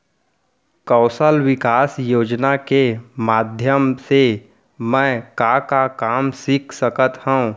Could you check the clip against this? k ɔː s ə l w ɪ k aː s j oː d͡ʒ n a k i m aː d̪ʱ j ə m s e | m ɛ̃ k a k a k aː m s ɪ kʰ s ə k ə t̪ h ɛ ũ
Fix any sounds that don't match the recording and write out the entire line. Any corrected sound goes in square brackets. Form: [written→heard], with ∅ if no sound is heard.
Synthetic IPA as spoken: k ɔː s ə l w ɪ k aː s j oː d͡ʒ n a k [i→e] m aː d̪ʱ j ə m s e | m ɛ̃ k a k a k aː m s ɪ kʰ s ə k ə t̪ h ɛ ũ